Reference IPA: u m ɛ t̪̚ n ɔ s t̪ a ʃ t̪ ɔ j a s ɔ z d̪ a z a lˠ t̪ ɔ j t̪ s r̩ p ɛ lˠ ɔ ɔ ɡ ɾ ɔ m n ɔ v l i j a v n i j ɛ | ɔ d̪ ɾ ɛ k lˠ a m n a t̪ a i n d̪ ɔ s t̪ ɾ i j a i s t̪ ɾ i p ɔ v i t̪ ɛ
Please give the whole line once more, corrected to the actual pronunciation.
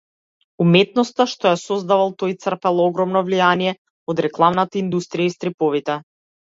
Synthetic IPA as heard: u m ɛ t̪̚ n ɔ s t̪ a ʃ t̪ ɔ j a s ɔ z d̪ a v a lˠ t̪ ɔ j t̪ s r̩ p ɛ lˠ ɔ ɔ ɡ ɾ ɔ m n ɔ v l i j a n i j ɛ | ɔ d̪ ɾ ɛ k lˠ a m n a t̪ a i n d̪ u s t̪ ɾ i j a i s t̪ ɾ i p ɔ v i t̪ ɛ